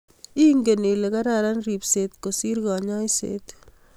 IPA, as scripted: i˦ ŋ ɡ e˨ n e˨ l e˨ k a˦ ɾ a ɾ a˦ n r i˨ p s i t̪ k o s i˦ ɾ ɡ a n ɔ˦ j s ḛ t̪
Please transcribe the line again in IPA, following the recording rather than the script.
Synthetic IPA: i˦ ŋ ɡ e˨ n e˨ l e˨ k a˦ ɾ a ɾ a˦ n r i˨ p s e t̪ k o s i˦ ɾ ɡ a ɲ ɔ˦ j s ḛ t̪